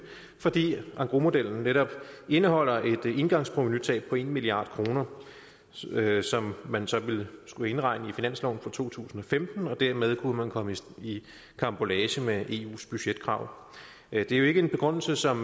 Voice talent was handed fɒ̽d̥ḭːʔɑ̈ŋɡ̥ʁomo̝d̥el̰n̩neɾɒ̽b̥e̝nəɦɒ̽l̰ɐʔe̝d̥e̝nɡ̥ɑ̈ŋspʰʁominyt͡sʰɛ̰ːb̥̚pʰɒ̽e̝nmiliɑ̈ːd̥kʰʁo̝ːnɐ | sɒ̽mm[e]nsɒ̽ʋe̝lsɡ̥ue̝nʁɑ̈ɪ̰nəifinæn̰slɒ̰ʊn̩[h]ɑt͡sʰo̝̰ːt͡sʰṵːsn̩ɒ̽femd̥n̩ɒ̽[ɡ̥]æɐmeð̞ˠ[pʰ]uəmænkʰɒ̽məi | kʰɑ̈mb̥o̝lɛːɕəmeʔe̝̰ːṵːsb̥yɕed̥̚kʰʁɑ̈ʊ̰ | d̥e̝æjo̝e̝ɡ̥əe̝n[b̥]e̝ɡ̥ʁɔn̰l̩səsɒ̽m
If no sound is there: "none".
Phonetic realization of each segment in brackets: æ, f, d̥, kʰ, b̥

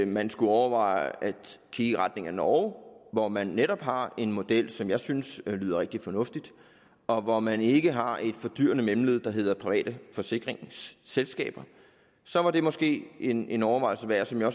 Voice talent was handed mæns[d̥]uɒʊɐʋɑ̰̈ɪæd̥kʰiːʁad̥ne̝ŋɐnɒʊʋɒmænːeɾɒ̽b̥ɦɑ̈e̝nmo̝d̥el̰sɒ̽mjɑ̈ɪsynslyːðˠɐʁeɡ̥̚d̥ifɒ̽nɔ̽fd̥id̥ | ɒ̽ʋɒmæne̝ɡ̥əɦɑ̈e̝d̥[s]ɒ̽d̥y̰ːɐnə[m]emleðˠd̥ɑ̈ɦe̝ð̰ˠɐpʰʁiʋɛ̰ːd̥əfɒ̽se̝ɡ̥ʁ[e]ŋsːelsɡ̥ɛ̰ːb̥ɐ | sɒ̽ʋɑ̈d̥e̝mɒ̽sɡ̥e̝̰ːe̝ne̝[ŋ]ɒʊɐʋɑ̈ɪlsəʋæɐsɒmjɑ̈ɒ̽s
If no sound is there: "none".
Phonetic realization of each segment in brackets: ɡ̥, f, m, e, n

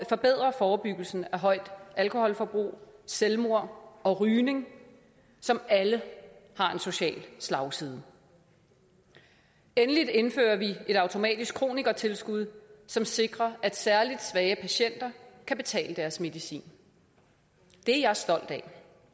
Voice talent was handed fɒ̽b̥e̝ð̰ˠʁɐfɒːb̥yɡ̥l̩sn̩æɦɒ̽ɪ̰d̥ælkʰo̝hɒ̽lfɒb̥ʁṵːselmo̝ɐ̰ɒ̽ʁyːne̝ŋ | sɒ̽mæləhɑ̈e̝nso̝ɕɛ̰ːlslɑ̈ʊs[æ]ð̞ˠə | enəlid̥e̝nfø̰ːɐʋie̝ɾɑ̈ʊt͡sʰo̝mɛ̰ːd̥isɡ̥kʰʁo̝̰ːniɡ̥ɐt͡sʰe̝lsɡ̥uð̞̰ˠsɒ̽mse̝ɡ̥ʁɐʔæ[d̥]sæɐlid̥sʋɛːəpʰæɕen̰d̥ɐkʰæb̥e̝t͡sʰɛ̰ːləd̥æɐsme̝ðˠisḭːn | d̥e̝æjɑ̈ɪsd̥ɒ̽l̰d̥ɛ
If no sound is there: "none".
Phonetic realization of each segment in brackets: i, d̥

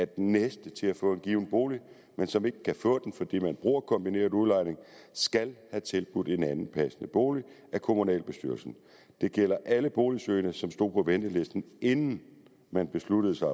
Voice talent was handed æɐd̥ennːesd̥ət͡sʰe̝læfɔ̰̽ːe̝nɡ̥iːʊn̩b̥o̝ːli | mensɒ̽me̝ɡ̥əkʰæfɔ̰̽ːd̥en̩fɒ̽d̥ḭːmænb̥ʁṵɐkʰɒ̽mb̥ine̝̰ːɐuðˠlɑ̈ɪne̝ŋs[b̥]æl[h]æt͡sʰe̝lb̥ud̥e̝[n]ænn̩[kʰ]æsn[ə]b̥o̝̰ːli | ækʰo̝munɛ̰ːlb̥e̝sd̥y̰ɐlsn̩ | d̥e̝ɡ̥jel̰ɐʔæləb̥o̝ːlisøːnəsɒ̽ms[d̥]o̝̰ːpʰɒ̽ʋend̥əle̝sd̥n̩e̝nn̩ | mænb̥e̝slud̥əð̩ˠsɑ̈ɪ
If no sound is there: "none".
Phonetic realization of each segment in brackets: ɡ̥, h, n, pʰ, ə, d̥

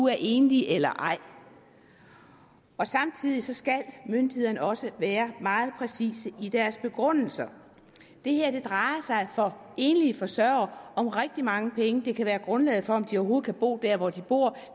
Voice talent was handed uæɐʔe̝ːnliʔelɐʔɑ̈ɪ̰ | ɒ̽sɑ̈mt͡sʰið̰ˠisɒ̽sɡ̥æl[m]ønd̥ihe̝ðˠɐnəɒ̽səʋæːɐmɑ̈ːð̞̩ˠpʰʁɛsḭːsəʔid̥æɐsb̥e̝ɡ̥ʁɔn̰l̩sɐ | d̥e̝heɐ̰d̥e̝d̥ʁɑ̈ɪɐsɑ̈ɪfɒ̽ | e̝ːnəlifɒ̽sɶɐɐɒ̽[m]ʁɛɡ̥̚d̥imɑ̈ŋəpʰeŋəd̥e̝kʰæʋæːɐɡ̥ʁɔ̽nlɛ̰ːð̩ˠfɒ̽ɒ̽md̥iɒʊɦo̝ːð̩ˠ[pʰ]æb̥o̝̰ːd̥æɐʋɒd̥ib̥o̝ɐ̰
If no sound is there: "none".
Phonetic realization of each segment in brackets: m, m, kʰ

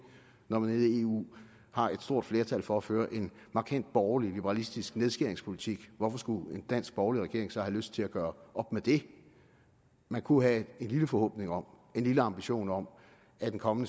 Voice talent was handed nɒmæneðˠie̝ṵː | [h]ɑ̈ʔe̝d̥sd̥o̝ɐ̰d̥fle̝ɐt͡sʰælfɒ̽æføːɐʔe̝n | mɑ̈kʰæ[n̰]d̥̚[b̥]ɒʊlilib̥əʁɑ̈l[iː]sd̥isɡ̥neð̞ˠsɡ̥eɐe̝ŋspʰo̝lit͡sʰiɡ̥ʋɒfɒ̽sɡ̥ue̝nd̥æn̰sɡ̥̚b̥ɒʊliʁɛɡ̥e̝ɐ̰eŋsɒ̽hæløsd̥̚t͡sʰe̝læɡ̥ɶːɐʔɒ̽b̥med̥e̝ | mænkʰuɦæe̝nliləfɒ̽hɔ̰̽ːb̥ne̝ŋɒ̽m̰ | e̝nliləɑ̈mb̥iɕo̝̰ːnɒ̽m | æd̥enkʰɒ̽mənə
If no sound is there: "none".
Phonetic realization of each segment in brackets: h, n̰, b̥, i

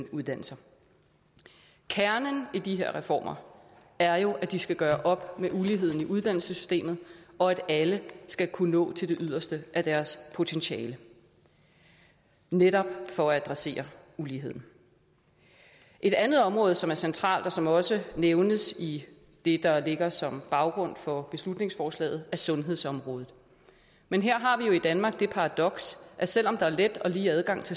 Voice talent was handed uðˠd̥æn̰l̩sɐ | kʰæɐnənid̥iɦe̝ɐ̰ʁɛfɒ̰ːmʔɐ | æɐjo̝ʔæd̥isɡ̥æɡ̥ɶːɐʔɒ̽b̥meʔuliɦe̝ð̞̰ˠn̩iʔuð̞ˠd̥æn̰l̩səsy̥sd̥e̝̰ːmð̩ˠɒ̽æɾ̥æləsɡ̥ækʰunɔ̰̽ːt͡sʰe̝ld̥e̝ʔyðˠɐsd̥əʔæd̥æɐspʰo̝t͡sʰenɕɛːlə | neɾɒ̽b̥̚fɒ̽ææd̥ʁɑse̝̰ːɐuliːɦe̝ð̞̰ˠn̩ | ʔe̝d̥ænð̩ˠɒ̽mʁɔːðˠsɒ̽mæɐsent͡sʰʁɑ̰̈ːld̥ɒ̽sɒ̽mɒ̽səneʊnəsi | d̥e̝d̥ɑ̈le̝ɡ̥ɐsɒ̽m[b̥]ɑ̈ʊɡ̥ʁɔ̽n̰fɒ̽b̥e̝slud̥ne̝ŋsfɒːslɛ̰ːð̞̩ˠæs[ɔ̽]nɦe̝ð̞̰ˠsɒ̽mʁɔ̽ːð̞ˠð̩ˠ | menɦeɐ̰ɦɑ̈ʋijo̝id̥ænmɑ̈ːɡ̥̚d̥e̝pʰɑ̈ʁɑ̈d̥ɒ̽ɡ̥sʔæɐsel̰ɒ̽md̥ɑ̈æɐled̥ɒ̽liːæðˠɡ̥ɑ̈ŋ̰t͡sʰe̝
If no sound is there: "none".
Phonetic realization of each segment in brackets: b̥, ɔ̽

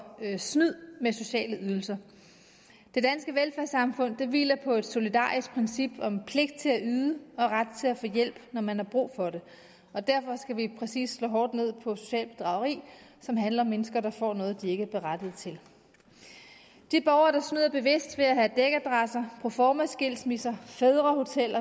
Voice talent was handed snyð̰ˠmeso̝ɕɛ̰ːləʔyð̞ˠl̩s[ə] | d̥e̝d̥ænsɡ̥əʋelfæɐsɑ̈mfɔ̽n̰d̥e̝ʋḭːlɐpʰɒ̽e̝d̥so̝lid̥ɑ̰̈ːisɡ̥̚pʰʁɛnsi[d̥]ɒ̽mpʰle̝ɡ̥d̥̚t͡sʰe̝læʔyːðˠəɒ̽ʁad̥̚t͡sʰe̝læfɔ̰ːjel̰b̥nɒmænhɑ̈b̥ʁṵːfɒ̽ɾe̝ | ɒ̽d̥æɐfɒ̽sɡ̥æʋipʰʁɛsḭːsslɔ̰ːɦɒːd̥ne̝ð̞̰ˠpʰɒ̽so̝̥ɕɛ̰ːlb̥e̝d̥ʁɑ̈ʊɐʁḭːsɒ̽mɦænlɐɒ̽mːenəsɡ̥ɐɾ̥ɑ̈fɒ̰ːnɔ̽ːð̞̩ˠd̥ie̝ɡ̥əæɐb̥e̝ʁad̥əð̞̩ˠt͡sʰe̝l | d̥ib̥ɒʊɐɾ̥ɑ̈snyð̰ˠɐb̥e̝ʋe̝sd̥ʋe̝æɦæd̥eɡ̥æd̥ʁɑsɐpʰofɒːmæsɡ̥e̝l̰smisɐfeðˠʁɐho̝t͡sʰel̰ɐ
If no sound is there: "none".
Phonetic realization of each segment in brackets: ɐ, b̥

